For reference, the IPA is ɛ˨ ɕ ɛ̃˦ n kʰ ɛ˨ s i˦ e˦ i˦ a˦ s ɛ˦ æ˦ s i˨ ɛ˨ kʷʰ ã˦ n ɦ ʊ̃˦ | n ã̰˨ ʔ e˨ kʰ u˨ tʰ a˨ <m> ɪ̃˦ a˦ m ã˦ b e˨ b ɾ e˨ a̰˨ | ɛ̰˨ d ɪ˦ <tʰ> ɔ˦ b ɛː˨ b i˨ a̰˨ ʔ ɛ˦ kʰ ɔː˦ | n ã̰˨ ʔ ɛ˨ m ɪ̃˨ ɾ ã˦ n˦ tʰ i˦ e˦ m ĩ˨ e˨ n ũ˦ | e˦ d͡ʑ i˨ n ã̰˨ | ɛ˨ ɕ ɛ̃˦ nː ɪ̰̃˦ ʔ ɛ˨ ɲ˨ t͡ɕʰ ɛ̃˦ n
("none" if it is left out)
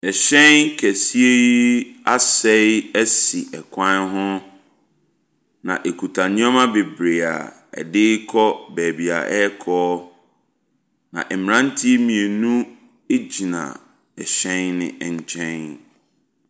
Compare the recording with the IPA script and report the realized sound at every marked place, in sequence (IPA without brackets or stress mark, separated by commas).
n, kʰ